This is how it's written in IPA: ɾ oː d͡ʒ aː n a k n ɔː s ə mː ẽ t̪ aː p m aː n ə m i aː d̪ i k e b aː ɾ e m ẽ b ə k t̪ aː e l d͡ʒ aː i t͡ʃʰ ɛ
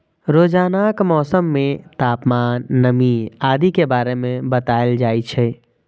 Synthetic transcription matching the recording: ɾ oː d͡ʒ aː n a k m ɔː s ə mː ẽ t̪ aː p m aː nː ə m i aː d̪ i k e b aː ɾ e m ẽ b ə t̪ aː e l d͡ʒ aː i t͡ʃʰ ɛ